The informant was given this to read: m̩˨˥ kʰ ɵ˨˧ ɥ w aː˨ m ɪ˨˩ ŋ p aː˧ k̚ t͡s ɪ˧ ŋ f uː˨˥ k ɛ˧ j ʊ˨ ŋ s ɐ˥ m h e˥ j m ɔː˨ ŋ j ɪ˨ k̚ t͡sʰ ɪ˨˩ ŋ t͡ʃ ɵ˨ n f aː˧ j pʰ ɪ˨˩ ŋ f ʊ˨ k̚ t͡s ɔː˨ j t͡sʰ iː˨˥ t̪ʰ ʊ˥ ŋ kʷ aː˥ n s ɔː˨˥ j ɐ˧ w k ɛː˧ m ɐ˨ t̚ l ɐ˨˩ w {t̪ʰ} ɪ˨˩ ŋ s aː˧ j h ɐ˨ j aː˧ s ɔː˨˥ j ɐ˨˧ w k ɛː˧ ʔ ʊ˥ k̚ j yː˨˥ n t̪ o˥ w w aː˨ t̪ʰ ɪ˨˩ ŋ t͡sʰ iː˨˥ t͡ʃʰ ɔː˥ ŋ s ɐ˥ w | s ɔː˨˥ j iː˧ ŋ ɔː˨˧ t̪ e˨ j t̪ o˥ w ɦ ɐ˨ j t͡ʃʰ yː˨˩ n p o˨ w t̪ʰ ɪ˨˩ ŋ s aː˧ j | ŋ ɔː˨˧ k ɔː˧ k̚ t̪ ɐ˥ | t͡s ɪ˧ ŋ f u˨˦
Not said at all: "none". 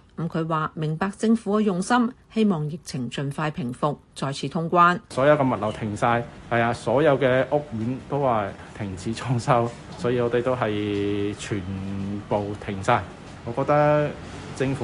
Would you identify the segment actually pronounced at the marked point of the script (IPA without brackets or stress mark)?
t̪ʰ